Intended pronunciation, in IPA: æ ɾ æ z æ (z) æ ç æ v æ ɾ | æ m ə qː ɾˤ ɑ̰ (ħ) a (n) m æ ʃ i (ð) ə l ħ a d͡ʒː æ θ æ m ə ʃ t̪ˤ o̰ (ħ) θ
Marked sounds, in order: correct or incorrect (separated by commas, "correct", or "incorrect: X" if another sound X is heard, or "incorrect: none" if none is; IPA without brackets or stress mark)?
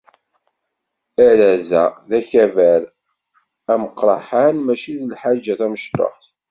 incorrect: ð, correct, correct, correct, correct